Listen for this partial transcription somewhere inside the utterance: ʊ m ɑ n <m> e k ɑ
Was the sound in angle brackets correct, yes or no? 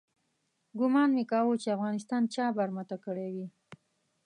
yes